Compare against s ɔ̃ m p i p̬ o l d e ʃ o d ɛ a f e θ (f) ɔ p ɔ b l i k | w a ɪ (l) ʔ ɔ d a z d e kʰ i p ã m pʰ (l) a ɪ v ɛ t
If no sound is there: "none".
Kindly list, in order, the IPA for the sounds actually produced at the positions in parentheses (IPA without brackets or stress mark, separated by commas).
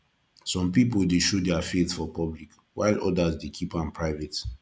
f, l, ɹ